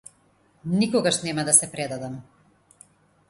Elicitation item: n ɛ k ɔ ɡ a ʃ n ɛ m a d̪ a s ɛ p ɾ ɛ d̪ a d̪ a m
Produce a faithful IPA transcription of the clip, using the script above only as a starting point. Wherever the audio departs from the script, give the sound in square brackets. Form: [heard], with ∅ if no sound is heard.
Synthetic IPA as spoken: n [i] k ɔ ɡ a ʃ n ɛ m a d̪ a s ɛ p ɾ ɛ d̪ a d̪ a m